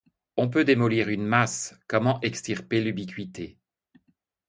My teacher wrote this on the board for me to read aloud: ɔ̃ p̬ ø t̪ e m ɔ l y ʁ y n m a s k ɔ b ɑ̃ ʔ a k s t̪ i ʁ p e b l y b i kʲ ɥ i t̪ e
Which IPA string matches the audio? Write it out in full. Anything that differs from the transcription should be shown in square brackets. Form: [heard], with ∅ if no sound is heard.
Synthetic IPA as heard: ɔ̃ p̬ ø [d̪] e m ɔ l [i] ʁ y n m a s k ɔ [m] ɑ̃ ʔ [ɛ] k s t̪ i ʁ p e [∅] l y b i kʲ ɥ i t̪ e